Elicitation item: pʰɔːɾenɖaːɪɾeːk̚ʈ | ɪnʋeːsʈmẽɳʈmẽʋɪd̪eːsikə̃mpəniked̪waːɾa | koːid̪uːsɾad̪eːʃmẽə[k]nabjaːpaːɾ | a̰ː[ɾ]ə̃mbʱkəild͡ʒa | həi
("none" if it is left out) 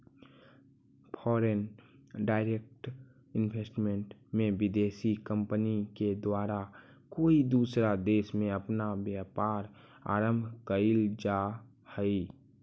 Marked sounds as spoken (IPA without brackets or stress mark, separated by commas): p, ɾ